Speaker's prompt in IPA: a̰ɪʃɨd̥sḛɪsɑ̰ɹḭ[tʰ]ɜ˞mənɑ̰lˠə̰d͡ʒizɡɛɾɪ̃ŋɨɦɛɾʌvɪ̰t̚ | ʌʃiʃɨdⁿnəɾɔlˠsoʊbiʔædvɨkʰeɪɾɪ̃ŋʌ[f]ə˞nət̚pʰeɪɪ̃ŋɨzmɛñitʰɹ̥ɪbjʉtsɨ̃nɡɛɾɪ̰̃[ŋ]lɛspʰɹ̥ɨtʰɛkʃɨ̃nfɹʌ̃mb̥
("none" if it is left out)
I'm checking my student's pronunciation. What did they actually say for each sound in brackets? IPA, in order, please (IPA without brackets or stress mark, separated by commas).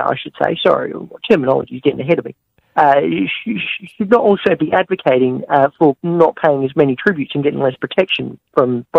tʰ, f, ŋ